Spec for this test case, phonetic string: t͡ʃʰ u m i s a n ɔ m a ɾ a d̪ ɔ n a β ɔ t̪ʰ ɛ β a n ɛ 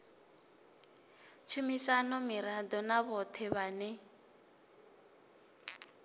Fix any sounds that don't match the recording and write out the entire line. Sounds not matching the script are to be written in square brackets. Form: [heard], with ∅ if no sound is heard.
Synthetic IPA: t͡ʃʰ u m i s a n ɔ m [i] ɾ a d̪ ɔ n a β ɔ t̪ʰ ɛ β a n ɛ